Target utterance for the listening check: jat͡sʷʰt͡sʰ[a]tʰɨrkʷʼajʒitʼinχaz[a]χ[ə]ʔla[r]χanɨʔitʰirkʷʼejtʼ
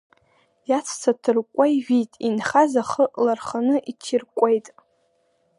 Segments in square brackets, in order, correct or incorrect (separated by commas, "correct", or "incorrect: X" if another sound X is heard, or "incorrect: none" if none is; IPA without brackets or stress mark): correct, correct, correct, correct